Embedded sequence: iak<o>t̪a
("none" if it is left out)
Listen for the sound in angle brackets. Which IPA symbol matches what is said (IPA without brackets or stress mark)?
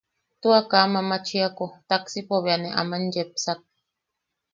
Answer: o